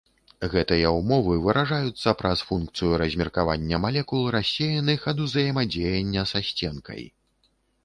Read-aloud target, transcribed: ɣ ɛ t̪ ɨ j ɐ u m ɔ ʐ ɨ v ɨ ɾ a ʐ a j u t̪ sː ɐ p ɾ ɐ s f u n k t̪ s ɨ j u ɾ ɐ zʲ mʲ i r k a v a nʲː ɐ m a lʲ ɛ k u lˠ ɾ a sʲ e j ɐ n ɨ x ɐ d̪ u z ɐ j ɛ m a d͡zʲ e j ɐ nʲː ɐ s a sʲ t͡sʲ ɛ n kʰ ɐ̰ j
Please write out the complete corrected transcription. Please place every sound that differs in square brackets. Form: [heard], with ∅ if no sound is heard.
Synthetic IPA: ɣ ɛ t̪ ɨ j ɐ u m ɔ [v] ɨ v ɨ ɾ a ʐ a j u t̪ sː ɐ p ɾ ɐ s f u n k t̪ s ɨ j u ɾ ɐ zʲ mʲ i r k a v a nʲː ɐ m a lʲ ɛ k u lˠ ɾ a sʲ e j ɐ n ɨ x ɐ d̪ u z ɐ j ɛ m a d͡zʲ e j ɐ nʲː ɐ s a sʲ t͡sʲ ɛ n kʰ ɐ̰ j

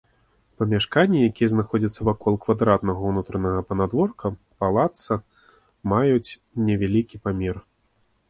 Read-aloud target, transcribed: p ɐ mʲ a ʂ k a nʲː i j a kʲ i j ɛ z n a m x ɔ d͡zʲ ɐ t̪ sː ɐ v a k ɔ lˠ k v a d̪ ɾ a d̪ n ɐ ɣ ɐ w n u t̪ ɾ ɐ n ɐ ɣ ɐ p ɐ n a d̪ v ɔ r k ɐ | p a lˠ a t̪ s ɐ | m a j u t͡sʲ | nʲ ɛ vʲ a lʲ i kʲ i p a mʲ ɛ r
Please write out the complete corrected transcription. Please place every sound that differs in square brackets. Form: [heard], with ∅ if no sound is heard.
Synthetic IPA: p ɐ mʲ a ʂ k a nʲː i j a kʲ i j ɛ z n a [∅] x ɔ d͡zʲ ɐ t̪ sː ɐ v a k ɔ lˠ k v a d̪ ɾ a [t̪] n ɐ ɣ ɐ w n u t̪ ɾ ɐ n ɐ ɣ ɐ p ɐ n a d̪ v ɔ r k ɐ | p a lˠ a t̪ s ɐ | m a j u t͡sʲ | nʲ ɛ vʲ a lʲ i kʲ i p a mʲ ɛ r

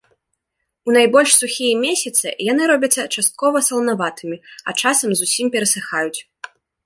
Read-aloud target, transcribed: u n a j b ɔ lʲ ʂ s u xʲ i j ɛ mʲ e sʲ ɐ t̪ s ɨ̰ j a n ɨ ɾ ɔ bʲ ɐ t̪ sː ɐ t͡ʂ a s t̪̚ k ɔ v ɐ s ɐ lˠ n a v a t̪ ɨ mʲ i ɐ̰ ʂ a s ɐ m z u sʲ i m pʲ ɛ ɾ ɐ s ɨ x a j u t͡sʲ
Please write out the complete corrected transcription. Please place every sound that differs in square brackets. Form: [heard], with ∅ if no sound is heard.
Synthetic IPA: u n a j b ɔ lʲ ʂ s u xʲ i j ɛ mʲ e sʲ ɐ t̪ s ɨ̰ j a n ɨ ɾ ɔ bʲ ɐ t̪ sː ɐ t͡ʂ a s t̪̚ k ɔ v ɐ s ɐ lˠ n a v a t̪ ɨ mʲ i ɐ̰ [t͡ʂ] a s ɐ m z u sʲ i m pʲ ɛ ɾ ɐ s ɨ x a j u t͡sʲ

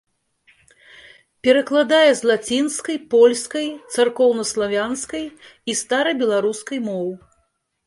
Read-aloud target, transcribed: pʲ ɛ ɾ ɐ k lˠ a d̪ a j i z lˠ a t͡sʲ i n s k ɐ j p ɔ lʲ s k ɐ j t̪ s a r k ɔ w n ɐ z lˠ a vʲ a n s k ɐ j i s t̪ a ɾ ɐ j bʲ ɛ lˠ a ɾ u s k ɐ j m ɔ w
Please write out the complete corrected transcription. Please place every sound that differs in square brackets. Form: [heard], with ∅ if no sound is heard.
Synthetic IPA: pʲ ɛ ɾ ɐ k lˠ a d̪ a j [ɛ] z lˠ a t͡sʲ i n s k ɐ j p ɔ lʲ s k ɐ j t̪ s a r k ɔ w n ɐ [s] lˠ a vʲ a n s k ɐ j i s t̪ a ɾ ɐ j bʲ ɛ lˠ a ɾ u s k ɐ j m ɔ w

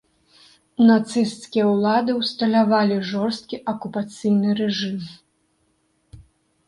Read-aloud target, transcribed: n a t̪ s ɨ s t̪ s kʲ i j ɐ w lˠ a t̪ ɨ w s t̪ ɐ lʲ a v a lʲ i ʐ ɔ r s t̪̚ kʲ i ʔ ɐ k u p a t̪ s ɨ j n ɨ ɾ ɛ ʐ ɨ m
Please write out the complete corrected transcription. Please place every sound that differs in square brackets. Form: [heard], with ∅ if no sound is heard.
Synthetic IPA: n a t̪ s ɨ s t̪ s kʲ i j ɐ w lˠ a [d̪] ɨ w s t̪ ɐ lʲ a v a lʲ i ʐ ɔ r s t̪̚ kʲ i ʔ ɐ k u p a t̪ s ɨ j n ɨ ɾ ɛ ʐ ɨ m

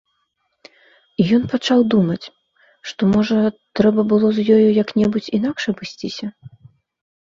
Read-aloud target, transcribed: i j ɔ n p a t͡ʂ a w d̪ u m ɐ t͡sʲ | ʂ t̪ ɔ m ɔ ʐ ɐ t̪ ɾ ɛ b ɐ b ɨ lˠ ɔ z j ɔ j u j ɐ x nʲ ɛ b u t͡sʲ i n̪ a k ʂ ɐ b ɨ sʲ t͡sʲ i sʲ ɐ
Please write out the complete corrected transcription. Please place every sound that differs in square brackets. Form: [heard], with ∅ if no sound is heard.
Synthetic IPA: i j ɔ n p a t͡ʂ a w d̪ u m ɐ t͡sʲ | ʂ t̪ ɔ m ɔ ʐ ɐ t̪ ɾ ɛ b ɐ b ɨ lˠ ɔ z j ɔ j u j ɐ [k] nʲ ɛ b u t͡sʲ i n̪ a k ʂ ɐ b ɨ sʲ t͡sʲ i sʲ ɐ

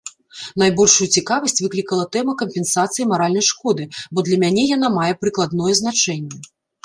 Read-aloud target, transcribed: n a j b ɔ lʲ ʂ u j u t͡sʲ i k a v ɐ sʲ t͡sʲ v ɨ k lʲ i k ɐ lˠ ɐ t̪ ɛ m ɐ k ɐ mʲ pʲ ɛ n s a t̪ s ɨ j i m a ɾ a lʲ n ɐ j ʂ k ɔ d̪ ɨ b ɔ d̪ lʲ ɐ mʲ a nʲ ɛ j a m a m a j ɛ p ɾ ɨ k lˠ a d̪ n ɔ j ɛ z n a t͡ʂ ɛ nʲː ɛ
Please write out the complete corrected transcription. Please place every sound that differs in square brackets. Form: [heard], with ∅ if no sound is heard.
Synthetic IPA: n a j b ɔ lʲ ʂ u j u t͡sʲ i k a v ɐ sʲ t͡sʲ v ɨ k lʲ i k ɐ lˠ ɐ t̪ ɛ m ɐ k ɐ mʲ pʲ ɛ n s a t̪ s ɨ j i m a ɾ a lʲ n ɐ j ʂ k ɔ d̪ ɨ b ɔ d̪ lʲ ɐ mʲ a nʲ ɛ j a [n] a m a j ɛ p ɾ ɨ k lˠ a d̪ n ɔ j ɛ z n a t͡ʂ ɛ nʲː ɛ

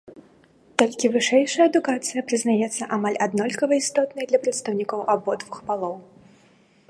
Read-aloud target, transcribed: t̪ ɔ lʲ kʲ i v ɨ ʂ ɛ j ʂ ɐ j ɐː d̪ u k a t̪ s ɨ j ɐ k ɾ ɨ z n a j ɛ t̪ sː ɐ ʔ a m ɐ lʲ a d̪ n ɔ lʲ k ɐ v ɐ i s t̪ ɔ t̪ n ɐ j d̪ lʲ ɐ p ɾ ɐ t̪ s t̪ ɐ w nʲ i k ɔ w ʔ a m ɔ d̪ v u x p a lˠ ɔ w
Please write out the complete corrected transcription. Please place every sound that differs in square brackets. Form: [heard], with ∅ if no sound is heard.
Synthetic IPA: t̪ ɔ lʲ kʲ i v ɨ ʂ ɛ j ʂ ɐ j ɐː d̪ u k a t̪ s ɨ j ɐ [p] ɾ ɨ z n a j ɛ t̪ sː ɐ ʔ a m [a] lʲ a d̪ n ɔ lʲ k ɐ v ɐ i s t̪ ɔ t̪ n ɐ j d̪ lʲ ɐ p ɾ ɐ t̪ s t̪ ɐ w nʲ i k ɔ w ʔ a [b] ɔ d̪ v u x p a lˠ ɔ w

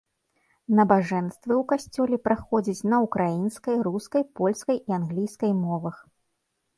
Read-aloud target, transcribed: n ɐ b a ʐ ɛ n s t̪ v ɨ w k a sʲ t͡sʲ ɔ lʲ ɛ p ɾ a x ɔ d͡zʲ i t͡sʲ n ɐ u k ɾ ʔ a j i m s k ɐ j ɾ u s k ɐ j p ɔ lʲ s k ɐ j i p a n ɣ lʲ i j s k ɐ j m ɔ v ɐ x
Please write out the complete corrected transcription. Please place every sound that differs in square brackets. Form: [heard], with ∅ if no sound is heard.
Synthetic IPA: n ɐ b a ʐ ɛ n s t̪ v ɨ w k a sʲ t͡sʲ ɔ lʲ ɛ p ɾ a x ɔ d͡zʲ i t͡sʲ n ɐ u k ɾ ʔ a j i [n] s k ɐ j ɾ u s k ɐ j p ɔ lʲ s k ɐ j i [∅] a n ɣ lʲ i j s k ɐ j m ɔ v ɐ x

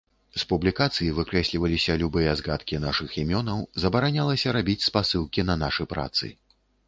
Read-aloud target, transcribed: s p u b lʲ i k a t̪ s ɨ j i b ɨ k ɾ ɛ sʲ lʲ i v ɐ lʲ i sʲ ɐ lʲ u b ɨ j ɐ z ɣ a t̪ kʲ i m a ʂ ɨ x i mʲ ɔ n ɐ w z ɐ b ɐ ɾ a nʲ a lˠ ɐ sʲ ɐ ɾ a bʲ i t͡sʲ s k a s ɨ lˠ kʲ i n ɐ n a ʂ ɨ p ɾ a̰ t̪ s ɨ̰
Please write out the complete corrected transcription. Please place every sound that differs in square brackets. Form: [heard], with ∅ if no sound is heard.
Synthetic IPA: s p u b lʲ i k a t̪ s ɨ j i [v] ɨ k ɾ ɛ sʲ lʲ i v ɐ lʲ i sʲ ɐ lʲ u b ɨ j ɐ z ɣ a t̪ kʲ i [n] a ʂ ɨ x i mʲ ɔ n ɐ w z ɐ b ɐ ɾ a nʲ a lˠ ɐ sʲ ɐ ɾ a bʲ i t͡sʲ s [p] a s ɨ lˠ kʲ i n ɐ n a ʂ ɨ p ɾ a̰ t̪ s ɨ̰

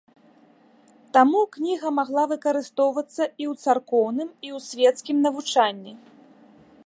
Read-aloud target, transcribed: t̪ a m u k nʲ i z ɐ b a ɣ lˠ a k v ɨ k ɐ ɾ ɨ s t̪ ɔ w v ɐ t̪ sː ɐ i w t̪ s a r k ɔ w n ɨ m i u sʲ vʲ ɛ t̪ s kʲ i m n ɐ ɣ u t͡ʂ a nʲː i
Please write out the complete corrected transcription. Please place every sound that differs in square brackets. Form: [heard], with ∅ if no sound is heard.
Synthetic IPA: t̪ a m u k nʲ i [ɣ] ɐ [m] a ɣ lˠ a [∅] v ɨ k ɐ ɾ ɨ s t̪ ɔ w v ɐ t̪ sː ɐ i w t̪ s a r k ɔ w n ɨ m i [w] sʲ vʲ ɛ t̪ s kʲ i m n ɐ [v] u t͡ʂ a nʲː i

